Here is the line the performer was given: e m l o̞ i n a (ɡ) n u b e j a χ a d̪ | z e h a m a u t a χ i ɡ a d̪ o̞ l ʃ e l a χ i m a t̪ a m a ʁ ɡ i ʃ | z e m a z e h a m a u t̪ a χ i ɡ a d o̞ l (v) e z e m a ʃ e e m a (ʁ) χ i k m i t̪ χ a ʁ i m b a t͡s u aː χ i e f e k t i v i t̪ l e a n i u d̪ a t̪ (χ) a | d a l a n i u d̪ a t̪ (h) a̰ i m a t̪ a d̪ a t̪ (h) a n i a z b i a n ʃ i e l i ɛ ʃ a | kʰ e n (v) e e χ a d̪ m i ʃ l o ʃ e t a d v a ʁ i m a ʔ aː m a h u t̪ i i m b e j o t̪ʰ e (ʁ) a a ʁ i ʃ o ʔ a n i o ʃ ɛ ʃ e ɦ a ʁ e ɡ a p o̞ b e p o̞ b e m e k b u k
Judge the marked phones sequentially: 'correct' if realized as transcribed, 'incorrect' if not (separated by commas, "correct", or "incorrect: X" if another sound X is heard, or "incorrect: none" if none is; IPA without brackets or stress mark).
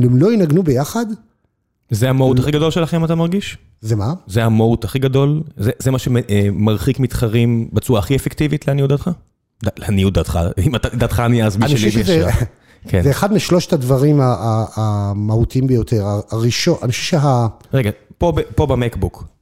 correct, incorrect: z, correct, correct, incorrect: χ, incorrect: χ, incorrect: z, correct